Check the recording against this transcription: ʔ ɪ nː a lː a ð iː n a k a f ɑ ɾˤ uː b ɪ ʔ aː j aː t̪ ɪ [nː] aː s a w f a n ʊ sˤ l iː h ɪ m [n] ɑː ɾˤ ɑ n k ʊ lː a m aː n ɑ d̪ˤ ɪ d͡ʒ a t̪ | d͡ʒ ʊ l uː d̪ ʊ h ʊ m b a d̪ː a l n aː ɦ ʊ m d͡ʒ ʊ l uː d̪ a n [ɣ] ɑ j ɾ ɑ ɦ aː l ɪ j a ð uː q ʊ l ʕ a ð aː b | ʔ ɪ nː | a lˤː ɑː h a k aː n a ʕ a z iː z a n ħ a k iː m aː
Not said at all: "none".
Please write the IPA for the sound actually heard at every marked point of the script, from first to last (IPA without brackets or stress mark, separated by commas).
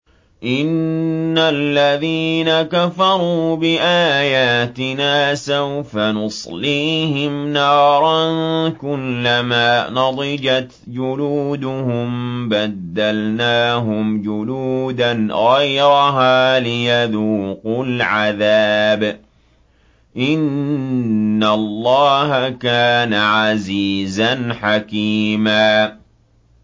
n, n, ɣ